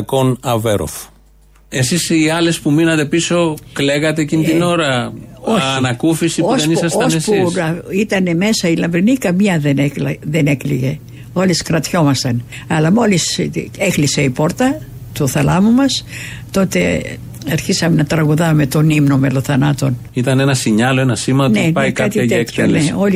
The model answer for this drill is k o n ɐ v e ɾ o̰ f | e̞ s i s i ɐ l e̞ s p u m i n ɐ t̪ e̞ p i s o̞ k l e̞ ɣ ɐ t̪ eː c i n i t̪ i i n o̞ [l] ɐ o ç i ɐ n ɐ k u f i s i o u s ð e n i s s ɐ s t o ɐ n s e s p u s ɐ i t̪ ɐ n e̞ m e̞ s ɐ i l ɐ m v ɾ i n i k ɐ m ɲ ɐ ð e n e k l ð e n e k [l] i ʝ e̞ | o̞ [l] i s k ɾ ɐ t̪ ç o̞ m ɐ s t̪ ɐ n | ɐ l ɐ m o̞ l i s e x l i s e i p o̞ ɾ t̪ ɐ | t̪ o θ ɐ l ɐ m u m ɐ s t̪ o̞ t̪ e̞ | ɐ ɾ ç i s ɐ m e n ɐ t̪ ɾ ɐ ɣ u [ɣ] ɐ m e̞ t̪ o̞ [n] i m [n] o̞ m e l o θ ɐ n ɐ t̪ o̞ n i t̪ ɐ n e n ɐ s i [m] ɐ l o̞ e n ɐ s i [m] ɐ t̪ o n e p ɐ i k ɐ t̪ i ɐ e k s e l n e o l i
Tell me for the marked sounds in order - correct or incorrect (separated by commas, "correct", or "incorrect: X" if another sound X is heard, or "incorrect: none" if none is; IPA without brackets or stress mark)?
incorrect: ɾ, correct, correct, incorrect: ð, correct, correct, incorrect: ɲ, correct